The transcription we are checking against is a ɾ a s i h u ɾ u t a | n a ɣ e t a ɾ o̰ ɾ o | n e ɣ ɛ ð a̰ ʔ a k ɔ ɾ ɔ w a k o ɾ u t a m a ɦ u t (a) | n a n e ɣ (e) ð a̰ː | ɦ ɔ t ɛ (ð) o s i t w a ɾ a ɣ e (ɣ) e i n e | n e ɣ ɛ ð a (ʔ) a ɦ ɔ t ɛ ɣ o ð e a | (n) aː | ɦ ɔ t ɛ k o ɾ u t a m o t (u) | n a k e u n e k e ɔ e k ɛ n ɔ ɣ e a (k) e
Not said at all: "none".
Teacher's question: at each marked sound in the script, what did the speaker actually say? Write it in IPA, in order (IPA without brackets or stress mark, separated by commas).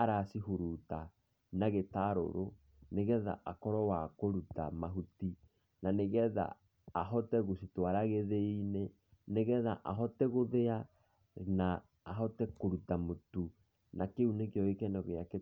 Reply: i, ɛ, ɣ, ð, ʔ, n, u, k